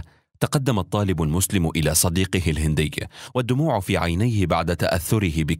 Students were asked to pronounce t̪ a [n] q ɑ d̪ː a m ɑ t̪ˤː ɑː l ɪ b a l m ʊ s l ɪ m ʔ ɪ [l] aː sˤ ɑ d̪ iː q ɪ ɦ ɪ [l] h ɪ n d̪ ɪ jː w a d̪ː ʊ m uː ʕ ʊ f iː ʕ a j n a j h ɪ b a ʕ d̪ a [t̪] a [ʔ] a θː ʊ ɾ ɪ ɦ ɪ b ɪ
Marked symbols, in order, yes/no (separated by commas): no, yes, yes, yes, yes